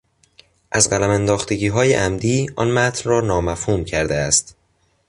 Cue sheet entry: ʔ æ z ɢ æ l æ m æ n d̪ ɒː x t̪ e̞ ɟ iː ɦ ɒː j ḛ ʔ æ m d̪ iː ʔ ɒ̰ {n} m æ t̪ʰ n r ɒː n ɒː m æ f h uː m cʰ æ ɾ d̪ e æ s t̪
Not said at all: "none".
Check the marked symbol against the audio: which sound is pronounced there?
n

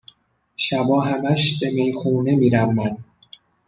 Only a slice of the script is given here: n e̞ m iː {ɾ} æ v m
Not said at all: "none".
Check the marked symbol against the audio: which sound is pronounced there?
ɾ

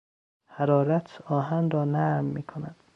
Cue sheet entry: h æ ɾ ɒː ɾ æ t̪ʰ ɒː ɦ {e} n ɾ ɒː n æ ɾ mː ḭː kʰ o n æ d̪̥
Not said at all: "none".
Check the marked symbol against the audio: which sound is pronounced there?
æ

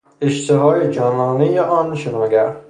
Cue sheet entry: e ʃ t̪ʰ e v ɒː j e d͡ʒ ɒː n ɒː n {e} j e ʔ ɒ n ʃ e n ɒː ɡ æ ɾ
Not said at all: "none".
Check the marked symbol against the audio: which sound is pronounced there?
e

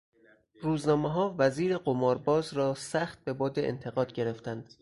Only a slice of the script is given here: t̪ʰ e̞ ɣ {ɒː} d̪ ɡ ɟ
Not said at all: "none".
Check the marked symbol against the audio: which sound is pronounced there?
ɒː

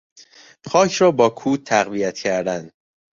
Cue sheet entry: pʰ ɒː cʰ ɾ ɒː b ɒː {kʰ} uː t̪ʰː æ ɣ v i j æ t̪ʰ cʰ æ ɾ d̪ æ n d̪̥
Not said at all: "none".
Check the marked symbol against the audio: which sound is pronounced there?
kʰ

